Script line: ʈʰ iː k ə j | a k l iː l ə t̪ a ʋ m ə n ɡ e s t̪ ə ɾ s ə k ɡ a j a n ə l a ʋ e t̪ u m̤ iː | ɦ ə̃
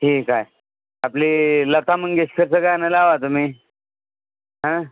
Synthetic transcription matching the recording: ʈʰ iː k a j | a p l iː l ə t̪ a m ə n ɡ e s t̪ ə ɾ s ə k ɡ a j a n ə l a ʋ a t̪ u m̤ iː | ɦ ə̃

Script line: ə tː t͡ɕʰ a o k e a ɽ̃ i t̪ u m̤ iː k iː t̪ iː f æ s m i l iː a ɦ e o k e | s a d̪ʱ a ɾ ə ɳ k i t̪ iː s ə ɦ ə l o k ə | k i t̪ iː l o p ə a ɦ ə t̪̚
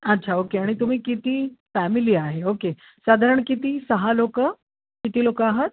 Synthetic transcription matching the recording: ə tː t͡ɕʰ a o k e a ɽ̃ i t̪ u m̤ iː k i t̪ iː f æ m i l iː a ɦ e o k e | s a d̪ʱ a ɾ ə ɳ k i t̪ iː s ə ɦ a l o k ə | k i t̪ iː l o k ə a ɦ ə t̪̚

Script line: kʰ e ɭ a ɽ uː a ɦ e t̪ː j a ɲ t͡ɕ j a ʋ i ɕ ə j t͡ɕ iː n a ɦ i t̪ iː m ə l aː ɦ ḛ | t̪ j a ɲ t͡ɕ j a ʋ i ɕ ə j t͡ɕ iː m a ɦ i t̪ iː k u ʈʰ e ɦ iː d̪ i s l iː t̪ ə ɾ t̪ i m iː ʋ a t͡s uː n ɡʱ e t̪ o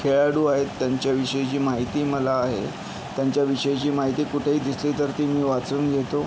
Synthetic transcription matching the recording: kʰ e ɭ a ɽ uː a ɦ e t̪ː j a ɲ t͡ɕ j a ʋ i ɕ ə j t͡ɕ iː m a ɦ i t̪ iː m ə l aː ɦ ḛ | t̪ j a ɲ t͡ɕ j a ʋ i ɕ ə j t͡ɕ iː m a ɦ i t̪ iː k u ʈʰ e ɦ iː d̪ i s l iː t̪ ə ɾ t̪ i m iː ʋ a t͡s uː n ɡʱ e t̪ o

